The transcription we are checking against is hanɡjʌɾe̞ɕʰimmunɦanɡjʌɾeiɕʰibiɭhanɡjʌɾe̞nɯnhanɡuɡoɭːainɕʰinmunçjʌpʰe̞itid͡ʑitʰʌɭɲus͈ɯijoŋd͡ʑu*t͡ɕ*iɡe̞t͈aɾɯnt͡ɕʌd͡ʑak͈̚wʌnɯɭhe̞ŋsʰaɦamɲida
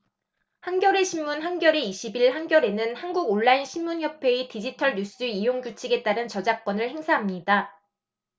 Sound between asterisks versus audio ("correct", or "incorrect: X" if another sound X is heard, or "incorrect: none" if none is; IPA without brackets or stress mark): incorrect: t͡ɕʰ